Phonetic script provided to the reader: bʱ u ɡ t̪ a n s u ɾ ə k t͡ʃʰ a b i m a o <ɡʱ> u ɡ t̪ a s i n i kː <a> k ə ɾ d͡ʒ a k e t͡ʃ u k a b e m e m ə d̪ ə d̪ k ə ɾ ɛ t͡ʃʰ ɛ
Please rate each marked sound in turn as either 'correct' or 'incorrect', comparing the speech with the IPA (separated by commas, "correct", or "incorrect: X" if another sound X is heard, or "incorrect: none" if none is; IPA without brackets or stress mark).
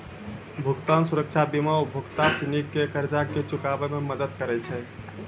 incorrect: bʱ, incorrect: e